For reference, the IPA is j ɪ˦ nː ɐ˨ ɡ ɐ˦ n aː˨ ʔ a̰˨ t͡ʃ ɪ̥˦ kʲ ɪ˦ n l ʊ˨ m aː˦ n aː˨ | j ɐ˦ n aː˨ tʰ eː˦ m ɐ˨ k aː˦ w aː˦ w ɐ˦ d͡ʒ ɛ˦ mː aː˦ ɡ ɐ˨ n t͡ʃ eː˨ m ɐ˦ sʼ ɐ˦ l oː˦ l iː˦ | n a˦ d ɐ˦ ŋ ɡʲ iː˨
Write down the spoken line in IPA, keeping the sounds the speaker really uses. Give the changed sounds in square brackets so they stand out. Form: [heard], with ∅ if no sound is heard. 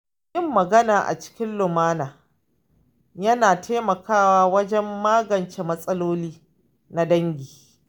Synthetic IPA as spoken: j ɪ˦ [mː] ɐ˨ ɡ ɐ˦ n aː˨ ʔ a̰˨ t͡ʃ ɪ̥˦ kʲ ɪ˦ n l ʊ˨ m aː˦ n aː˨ | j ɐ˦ n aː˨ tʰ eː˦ m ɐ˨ k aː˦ w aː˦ w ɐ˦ d͡ʒ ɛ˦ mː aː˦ ɡ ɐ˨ n t͡ʃ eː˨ m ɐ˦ sʼ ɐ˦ l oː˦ l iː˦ | n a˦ d ɐ˦ ŋ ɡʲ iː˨

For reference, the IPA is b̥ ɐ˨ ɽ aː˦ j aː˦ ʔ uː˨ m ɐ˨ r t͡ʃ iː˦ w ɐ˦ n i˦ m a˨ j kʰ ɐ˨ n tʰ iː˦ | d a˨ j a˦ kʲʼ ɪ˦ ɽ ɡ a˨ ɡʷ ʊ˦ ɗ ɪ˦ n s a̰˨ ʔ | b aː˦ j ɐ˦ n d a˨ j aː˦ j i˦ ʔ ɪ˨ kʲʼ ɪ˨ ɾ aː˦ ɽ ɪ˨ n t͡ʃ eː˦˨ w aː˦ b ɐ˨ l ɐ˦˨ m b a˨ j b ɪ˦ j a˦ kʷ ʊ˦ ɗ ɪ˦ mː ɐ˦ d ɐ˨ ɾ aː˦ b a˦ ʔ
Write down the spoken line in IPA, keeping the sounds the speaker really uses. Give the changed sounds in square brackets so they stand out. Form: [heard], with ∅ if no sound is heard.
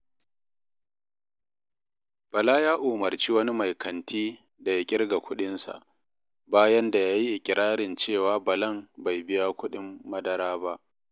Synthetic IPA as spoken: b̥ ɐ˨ [l] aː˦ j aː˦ ʔ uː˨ m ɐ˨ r t͡ʃ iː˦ w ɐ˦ n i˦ m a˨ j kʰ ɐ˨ n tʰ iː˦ | d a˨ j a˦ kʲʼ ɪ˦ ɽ ɡ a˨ [kʷ] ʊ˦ ɗ ɪ˦ n s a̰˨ ʔ | b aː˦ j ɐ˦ n d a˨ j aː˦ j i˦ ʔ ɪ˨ kʲʼ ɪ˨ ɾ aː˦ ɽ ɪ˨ n t͡ʃ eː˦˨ w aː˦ b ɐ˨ l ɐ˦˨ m b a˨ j b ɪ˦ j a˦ kʷ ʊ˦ ɗ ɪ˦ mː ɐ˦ d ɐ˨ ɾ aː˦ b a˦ ʔ

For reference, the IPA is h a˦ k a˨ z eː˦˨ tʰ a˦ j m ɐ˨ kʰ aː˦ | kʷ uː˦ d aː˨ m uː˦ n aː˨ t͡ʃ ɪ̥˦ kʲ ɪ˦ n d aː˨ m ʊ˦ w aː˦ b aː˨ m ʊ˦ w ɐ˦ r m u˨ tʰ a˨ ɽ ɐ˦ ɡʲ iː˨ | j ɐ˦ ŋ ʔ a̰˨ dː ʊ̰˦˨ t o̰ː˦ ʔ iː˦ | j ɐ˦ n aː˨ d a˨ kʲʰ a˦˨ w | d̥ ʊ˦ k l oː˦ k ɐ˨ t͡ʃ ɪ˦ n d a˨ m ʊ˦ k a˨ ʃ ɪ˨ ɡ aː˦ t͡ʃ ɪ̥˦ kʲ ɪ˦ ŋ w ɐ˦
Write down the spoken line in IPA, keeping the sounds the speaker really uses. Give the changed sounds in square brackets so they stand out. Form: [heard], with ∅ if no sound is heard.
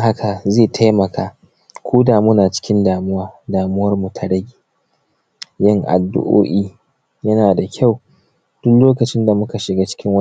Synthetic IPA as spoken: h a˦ k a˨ z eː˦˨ tʰ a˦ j m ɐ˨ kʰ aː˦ | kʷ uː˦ d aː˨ m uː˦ n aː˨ t͡ʃ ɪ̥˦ kʲ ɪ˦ n d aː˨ m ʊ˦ w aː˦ [d] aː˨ m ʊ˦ w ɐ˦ r m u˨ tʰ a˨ ɽ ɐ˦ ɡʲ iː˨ | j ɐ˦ ŋ ʔ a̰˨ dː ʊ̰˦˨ [ʔ] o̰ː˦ ʔ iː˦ | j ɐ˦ n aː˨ d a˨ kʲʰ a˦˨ w | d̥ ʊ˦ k l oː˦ k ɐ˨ t͡ʃ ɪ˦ n d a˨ m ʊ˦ k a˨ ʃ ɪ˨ ɡ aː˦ t͡ʃ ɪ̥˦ kʲ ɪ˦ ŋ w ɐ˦

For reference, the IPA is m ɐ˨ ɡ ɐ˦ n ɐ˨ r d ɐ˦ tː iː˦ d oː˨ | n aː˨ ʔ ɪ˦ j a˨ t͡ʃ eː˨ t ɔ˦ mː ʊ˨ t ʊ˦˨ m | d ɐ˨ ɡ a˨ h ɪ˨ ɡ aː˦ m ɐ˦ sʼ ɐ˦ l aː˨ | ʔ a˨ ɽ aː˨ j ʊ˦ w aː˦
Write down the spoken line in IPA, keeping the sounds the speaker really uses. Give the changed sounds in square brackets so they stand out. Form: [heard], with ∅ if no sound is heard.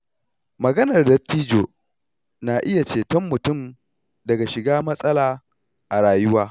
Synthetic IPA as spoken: m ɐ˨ ɡ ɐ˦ n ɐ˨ r d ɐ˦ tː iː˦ [d͡ʒ] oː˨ | n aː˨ ʔ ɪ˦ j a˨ t͡ʃ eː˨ t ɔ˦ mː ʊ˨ t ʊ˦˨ m | d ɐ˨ ɡ a˨ [ʃ] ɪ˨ ɡ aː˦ m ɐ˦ sʼ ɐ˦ l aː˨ | ʔ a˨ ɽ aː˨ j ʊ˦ w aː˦

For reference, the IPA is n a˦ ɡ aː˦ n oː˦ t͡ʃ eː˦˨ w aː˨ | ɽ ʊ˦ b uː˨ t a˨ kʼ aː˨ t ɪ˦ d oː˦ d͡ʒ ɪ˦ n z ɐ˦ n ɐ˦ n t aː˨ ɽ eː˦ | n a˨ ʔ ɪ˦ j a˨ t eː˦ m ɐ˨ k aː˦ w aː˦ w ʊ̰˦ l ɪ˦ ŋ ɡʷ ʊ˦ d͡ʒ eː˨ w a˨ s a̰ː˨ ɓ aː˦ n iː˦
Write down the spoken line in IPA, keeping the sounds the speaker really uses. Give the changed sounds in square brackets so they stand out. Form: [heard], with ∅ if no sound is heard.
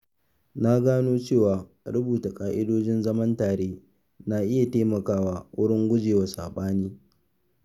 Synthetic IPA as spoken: n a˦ ɡ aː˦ n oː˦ t͡ʃ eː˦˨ w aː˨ | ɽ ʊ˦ b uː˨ t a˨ kʼ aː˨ [ʔ] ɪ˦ d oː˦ d͡ʒ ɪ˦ n z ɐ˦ [m] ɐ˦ n t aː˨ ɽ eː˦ | n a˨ ʔ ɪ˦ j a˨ t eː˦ m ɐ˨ k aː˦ w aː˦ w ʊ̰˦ [ɽ] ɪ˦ ŋ ɡʷ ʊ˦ d͡ʒ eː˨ w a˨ s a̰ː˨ ɓ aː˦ n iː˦

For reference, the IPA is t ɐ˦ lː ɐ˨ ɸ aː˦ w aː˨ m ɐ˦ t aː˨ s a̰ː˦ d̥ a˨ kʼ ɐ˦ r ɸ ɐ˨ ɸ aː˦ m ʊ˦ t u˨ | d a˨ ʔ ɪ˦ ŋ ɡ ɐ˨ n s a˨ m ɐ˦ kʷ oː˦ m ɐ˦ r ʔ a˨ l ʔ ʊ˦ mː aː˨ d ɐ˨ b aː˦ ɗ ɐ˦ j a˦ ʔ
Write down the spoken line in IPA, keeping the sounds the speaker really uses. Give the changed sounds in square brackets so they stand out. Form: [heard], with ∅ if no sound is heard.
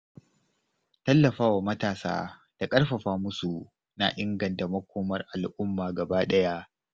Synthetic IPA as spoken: t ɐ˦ lː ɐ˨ ɸ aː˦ w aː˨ m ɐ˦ t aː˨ s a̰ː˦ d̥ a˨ kʼ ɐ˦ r ɸ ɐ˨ ɸ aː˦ m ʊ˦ [s] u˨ | [n] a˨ ʔ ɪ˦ ŋ ɡ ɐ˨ n [t] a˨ m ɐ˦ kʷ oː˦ m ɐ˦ r ʔ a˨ l ʔ ʊ˦ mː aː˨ [ɡ] ɐ˨ b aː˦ ɗ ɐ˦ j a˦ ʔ

